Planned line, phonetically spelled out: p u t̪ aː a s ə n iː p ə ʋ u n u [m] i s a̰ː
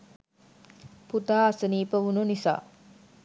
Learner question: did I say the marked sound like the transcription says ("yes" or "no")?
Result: no